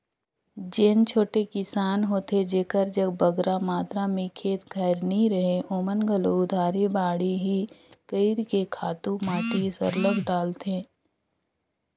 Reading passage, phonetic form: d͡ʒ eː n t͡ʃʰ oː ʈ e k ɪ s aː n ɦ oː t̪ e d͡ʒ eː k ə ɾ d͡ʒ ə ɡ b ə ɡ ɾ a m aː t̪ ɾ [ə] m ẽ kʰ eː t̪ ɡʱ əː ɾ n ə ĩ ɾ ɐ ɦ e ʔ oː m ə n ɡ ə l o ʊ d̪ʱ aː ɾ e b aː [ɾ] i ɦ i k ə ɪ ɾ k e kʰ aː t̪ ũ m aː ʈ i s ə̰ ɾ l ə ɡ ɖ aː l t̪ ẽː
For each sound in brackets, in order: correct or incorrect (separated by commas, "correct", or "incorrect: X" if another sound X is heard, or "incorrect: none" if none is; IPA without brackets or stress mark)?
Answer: incorrect: a, incorrect: ɽ